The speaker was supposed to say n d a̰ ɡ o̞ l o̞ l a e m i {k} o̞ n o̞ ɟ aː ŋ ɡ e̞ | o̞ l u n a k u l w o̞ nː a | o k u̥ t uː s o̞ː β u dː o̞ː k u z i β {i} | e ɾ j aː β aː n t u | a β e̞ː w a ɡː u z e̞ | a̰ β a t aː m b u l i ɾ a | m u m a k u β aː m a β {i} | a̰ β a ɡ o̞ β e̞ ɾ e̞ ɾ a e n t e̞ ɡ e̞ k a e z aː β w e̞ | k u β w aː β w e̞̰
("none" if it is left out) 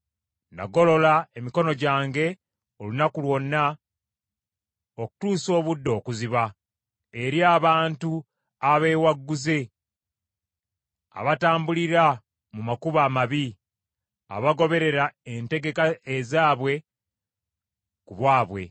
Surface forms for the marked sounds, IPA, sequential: k, a, i

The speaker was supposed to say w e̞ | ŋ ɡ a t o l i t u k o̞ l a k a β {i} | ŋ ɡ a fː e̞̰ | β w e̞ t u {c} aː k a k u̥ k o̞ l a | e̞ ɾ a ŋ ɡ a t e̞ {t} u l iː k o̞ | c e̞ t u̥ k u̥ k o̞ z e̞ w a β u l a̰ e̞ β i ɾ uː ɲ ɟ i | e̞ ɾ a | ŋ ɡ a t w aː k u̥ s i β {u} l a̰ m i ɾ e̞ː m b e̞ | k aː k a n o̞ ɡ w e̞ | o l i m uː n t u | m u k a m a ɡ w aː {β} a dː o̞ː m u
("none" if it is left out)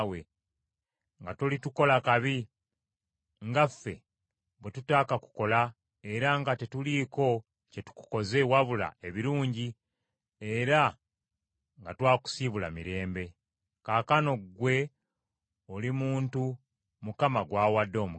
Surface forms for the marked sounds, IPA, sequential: i, t, t, u, w

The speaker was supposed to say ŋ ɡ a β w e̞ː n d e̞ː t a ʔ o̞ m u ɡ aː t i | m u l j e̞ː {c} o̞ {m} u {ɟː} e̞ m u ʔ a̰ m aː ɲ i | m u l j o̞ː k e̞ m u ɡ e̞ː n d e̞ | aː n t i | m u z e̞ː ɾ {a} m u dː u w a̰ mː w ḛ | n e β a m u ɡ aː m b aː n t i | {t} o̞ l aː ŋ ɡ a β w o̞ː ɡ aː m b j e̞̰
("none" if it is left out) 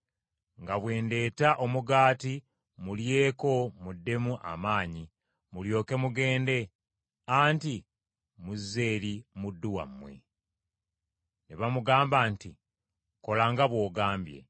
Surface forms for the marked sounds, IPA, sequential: k, m, dː, i, k

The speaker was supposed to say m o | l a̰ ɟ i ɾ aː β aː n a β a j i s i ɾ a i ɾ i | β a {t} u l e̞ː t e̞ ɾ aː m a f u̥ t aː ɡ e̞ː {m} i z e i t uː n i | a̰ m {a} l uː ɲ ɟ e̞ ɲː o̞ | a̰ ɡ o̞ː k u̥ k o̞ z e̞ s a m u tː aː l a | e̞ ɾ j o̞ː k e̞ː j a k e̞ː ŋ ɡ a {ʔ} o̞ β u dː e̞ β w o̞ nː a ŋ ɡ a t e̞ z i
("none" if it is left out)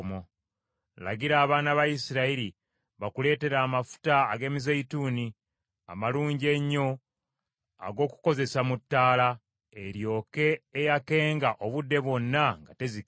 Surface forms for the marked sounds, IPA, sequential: k, m, a, ʔ

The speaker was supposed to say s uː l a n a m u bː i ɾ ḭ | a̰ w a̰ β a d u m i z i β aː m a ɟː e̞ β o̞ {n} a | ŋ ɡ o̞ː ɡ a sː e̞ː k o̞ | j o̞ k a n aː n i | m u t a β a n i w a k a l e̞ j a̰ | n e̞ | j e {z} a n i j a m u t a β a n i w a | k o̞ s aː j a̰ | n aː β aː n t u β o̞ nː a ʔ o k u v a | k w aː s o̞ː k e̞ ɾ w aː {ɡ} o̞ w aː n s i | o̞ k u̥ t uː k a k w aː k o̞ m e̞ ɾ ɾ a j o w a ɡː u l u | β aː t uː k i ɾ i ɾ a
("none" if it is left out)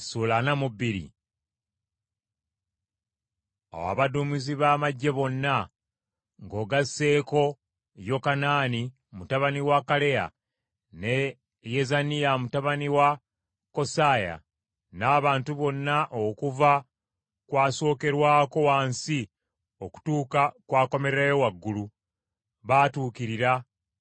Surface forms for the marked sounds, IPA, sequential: nː, z, k

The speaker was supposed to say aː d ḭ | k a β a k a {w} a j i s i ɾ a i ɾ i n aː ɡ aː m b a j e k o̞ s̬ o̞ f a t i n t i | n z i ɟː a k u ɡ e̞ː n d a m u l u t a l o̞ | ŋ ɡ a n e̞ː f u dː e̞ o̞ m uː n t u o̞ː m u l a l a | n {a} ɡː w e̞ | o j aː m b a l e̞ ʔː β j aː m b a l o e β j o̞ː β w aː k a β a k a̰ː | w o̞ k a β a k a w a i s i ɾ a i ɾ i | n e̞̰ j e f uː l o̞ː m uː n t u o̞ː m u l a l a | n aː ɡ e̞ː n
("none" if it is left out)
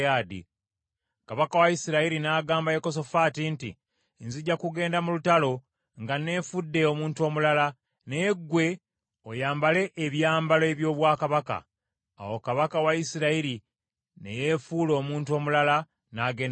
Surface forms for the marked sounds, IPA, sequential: w, e

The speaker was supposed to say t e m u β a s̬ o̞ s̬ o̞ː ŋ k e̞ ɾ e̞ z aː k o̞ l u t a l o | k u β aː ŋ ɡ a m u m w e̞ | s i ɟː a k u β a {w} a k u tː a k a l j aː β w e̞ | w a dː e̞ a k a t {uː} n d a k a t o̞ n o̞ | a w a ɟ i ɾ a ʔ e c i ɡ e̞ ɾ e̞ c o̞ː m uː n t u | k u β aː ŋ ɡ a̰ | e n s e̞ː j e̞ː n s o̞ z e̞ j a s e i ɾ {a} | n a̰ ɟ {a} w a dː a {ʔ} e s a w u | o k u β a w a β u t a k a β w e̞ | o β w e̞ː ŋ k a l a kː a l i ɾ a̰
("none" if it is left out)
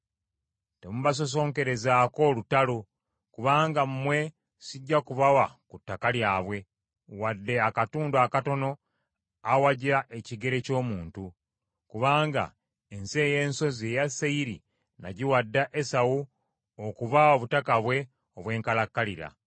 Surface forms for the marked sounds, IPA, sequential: w, uː, i, i, ʔ

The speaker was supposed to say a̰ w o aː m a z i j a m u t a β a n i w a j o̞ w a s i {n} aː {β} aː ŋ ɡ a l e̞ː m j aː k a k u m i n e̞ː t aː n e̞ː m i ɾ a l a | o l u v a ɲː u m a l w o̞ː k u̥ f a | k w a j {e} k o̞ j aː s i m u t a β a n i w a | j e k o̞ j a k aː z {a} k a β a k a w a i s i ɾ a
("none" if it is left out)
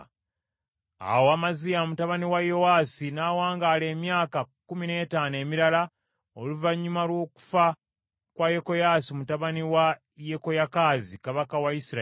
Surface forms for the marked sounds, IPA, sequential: n, w, e, i

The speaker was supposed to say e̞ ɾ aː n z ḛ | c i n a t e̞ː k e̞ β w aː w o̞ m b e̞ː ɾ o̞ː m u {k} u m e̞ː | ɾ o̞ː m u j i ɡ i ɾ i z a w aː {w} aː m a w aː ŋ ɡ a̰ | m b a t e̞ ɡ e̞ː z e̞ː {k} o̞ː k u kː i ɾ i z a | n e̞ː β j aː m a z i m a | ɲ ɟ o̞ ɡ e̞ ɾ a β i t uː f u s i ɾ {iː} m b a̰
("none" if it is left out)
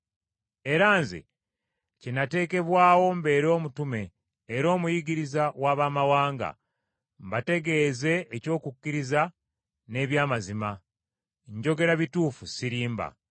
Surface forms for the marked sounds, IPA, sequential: t, β, c, iː

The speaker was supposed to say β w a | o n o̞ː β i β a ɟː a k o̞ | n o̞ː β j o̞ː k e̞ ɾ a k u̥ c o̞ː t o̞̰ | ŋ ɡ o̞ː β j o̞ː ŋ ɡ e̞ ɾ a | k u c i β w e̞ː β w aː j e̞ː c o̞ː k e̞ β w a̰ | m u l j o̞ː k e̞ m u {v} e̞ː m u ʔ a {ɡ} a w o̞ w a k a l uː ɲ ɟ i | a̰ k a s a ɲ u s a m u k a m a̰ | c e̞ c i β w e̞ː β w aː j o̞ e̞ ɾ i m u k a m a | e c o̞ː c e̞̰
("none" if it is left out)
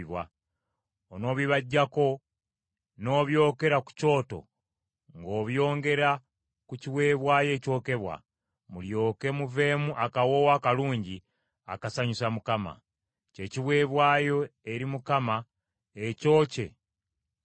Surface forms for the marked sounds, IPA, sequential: v, k

